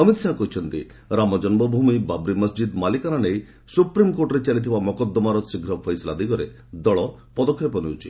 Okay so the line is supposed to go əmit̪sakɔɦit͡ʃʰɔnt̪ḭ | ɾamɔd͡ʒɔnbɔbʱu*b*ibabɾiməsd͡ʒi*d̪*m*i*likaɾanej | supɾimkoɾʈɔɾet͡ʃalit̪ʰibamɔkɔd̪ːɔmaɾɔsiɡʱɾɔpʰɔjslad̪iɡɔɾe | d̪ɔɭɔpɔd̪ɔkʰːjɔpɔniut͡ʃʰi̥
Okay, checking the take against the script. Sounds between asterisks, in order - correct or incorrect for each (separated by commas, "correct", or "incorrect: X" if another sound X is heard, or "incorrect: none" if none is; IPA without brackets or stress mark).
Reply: incorrect: m, correct, incorrect: a